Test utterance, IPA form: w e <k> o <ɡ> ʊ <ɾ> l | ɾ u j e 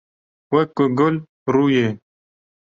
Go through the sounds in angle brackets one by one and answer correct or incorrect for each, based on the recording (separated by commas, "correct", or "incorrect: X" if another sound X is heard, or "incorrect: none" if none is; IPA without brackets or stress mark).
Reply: correct, correct, incorrect: none